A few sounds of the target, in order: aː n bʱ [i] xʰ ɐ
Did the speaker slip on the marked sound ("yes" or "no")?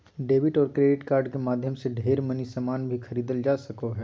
no